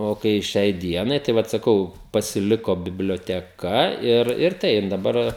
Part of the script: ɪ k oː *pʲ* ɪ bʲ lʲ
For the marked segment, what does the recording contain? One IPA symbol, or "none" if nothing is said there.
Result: bʲ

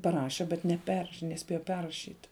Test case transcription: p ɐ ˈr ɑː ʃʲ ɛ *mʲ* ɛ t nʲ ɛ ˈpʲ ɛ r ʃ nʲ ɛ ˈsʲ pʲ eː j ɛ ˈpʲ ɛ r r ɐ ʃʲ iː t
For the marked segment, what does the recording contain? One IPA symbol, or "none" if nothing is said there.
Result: bʲ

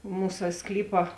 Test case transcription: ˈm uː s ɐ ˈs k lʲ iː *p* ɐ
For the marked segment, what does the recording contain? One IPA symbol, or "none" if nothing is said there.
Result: p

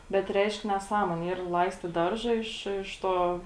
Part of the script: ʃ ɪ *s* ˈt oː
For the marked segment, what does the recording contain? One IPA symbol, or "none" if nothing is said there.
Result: ʃ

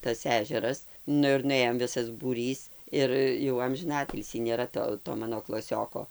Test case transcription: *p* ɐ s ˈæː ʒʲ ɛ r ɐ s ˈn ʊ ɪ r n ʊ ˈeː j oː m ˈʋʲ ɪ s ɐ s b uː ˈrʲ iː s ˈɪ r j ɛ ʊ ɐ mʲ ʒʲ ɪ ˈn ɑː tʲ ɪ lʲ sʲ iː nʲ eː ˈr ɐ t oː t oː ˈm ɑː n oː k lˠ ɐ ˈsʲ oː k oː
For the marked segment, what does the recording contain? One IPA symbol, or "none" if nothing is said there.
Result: t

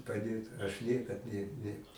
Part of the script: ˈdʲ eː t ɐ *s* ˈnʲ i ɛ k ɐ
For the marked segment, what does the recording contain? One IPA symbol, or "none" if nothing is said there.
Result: ʃ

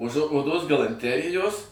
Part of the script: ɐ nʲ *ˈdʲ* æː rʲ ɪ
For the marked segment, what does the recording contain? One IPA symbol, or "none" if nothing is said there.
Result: tʲ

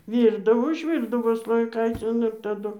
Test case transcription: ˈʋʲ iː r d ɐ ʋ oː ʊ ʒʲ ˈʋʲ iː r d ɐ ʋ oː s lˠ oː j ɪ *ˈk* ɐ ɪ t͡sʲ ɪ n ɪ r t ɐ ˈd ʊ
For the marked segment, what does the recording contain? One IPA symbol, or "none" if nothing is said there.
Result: k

